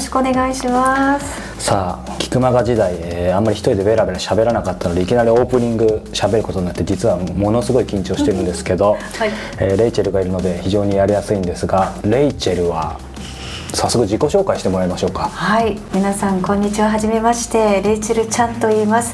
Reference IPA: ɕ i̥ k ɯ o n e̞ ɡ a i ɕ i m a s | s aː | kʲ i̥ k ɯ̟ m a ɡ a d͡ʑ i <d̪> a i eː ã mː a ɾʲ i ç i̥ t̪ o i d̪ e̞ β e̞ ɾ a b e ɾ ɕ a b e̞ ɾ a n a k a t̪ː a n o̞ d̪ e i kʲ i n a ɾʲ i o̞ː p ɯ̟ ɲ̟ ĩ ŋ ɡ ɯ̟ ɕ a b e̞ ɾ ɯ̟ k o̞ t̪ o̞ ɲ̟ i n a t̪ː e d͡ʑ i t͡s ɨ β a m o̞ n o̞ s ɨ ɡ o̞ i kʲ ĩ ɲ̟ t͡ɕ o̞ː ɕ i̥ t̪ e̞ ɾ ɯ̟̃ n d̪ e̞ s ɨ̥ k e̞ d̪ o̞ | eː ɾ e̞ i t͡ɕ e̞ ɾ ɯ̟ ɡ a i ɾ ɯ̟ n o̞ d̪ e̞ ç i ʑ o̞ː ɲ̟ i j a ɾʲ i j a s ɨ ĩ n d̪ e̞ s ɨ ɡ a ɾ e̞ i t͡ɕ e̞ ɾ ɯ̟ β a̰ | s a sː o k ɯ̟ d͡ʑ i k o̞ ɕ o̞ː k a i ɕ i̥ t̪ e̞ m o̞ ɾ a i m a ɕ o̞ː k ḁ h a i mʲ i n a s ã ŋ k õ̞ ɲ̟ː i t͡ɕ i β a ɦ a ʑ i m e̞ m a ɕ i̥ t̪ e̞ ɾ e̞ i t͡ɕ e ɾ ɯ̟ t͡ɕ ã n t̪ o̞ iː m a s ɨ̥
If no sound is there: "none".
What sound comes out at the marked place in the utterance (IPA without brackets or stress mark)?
d̪